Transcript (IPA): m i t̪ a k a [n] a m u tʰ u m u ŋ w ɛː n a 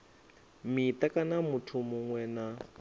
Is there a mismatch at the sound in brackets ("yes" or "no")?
no